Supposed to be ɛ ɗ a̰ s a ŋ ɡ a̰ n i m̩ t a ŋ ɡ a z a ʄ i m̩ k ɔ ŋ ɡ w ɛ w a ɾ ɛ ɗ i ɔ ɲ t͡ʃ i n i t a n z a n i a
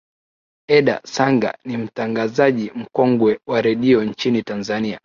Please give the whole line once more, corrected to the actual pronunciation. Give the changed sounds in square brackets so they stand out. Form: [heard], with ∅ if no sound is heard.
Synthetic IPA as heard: ɛ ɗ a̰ s a ŋ ɡ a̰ n i m̩ t a ŋ ɡ a z a ʄ i m̩ k ɔ ŋ ɡ w ɛ w a ɾ ɛ ɗ i ɔ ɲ t͡ʃ i n i t a n z a n i a